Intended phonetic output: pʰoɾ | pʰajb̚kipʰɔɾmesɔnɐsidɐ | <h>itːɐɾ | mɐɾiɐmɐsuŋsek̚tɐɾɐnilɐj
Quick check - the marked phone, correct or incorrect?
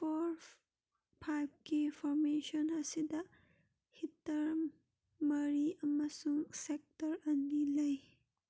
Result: correct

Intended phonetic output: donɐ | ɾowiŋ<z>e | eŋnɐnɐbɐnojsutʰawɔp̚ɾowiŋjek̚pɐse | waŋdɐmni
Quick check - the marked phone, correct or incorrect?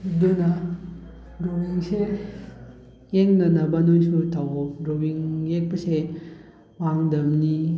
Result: incorrect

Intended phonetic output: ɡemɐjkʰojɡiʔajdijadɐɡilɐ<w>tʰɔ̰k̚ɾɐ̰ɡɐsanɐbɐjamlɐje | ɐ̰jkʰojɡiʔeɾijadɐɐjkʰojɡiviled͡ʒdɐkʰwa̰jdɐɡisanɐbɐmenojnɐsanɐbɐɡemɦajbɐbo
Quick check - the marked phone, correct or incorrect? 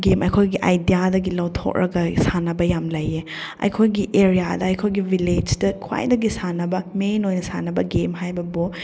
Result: correct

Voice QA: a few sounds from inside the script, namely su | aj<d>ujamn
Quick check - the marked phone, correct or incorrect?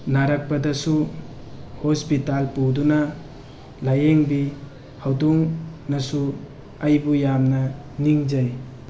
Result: incorrect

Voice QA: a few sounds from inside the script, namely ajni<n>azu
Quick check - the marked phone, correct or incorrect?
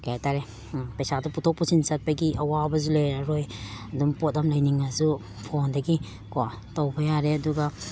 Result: incorrect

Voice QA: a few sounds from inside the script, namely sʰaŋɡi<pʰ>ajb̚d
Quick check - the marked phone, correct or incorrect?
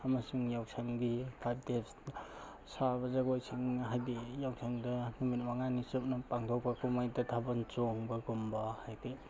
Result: correct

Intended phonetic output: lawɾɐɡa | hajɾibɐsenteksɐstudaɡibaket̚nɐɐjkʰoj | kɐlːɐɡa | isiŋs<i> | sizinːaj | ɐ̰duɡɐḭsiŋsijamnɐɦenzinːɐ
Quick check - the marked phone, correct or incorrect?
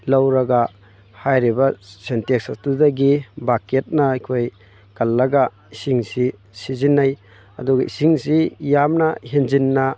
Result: correct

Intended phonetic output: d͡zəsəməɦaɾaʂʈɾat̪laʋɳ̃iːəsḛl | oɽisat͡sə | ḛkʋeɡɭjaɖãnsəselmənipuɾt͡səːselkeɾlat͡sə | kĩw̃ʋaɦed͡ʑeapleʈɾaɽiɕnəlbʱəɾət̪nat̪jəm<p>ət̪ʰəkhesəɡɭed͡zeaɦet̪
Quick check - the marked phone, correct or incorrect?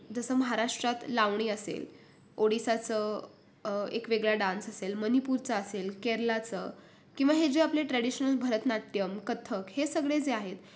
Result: incorrect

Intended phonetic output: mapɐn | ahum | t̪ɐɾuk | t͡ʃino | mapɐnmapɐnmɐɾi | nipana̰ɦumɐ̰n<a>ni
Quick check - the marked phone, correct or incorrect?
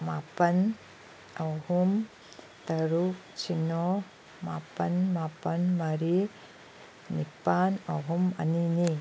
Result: incorrect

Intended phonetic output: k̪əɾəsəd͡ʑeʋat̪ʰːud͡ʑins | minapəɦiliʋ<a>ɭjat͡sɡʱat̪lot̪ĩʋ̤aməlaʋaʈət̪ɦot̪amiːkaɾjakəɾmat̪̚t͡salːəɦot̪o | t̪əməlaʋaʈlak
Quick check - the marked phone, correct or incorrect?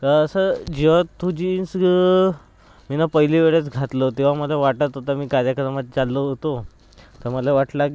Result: incorrect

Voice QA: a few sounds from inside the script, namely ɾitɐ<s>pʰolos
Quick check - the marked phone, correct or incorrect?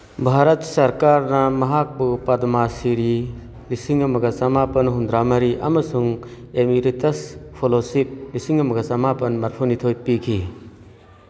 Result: correct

